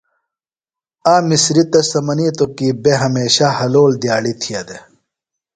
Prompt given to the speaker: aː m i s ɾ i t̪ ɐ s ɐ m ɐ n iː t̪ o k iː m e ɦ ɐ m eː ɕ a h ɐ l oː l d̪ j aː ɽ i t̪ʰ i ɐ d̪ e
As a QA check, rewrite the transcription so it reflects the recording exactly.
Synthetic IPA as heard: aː m i s ɾ i t̪ ɐ s ɐ m ɐ n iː t̪ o k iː b e ɦ ɐ m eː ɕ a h ɐ l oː l d̪ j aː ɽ i t̪ʰ i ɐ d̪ e